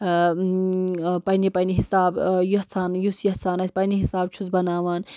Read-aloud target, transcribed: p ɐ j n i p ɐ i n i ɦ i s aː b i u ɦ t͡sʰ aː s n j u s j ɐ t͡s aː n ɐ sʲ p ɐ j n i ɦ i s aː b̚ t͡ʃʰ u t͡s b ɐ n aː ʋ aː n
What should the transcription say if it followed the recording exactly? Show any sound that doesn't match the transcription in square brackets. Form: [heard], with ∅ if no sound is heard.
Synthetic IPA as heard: p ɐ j n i p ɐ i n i ɦ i s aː b [j] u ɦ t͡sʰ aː [∅] n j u s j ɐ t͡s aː n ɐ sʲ p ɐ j n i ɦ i s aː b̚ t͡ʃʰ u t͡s b ɐ n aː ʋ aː n

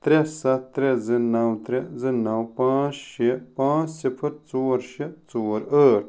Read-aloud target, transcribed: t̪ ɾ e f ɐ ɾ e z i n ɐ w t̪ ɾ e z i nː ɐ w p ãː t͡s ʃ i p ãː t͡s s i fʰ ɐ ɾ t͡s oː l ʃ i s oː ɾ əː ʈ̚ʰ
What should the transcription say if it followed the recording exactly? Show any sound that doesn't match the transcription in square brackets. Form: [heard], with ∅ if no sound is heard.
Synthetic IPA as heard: t̪ ɾ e [s] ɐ ɾ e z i n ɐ w t̪ ɾ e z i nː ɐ w p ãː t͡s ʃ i p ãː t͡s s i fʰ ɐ ɾ t͡s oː [ɾ] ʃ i [t͡s] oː ɾ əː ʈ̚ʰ

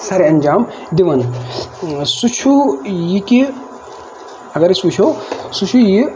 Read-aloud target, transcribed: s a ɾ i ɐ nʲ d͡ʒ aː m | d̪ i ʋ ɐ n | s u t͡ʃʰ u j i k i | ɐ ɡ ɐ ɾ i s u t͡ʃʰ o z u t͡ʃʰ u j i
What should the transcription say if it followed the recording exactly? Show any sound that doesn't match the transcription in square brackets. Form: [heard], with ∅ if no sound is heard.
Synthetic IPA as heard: s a ɾ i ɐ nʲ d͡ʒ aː m | d̪ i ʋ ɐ n | s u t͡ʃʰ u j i k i | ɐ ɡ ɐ ɾ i s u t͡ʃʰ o [s] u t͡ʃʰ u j i

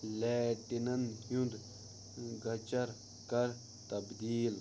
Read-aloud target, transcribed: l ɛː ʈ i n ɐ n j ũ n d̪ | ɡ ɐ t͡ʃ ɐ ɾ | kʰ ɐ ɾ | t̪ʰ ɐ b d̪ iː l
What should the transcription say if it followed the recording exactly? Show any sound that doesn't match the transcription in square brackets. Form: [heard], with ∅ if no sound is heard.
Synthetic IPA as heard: l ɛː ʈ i n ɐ n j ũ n d̪ | ɡ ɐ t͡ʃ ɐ ɾ | [k] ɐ ɾ | [t̪] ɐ b d̪ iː l

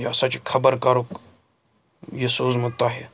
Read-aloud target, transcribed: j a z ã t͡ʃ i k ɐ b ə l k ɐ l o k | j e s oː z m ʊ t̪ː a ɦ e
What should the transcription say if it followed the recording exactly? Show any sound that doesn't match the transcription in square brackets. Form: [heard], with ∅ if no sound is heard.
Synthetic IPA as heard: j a [s] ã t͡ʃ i [kʰ] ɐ b ə [ɾ] k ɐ [ɾ] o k | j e s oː z m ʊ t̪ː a ɦ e

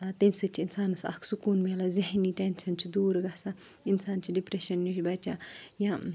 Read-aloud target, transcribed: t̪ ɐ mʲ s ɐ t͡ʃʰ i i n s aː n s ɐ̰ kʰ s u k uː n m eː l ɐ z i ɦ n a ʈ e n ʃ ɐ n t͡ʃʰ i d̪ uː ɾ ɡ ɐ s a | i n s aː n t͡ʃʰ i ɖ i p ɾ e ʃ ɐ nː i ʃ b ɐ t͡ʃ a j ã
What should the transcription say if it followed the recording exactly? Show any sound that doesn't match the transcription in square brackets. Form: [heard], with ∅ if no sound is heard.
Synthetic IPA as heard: t̪ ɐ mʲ s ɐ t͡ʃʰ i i n s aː n s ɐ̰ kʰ s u k uː n m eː l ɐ z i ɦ n [i] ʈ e n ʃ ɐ n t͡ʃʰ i d̪ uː ɾ ɡ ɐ s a | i n s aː n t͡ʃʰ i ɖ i p ɾ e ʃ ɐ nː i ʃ b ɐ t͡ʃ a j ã

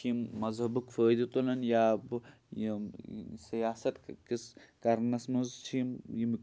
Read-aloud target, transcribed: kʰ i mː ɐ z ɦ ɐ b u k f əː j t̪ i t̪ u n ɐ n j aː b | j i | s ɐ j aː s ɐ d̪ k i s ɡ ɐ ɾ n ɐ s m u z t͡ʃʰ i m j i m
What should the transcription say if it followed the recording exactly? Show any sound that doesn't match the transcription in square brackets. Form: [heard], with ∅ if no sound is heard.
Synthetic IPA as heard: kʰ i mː ɐ z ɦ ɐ b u k f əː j [d̪] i t̪ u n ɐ n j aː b | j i | s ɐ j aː s ɐ [t̪] k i s [k] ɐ ɾ n ɐ s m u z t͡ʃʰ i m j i m

